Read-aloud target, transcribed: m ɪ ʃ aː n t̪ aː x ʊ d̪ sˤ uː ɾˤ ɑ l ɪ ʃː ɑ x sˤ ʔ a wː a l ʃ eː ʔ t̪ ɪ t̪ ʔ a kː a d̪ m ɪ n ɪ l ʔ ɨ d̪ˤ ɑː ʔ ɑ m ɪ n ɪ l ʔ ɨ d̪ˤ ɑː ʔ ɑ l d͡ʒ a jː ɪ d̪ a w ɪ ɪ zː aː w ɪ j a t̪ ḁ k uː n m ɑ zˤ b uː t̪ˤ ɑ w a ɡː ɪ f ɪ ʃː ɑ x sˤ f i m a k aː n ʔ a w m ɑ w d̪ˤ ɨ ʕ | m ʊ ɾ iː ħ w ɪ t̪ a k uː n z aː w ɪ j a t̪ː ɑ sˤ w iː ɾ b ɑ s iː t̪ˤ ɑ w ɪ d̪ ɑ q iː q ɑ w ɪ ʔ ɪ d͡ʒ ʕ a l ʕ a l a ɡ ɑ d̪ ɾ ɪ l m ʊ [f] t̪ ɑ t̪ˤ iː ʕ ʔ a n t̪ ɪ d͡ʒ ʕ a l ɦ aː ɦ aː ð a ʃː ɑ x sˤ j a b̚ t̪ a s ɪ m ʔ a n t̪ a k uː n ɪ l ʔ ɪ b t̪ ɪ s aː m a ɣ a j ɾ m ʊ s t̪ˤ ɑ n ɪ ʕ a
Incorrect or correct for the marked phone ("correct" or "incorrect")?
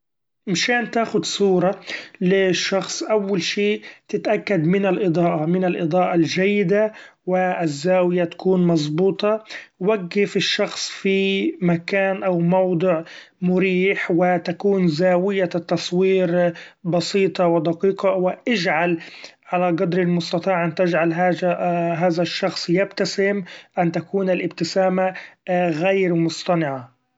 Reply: incorrect